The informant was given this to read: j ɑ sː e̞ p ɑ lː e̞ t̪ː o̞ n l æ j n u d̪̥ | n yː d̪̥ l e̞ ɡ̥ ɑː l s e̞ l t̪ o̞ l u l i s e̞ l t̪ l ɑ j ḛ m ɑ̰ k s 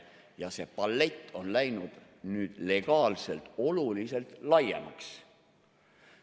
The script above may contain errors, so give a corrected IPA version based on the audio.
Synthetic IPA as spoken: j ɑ s e̞ p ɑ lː e̞ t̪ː o̞ n l æ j n u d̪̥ | n yː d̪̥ l e̞ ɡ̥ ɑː l s e̞ l t̪ o̞ l u l i s e̞ l t̪ l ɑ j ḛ m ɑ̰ k s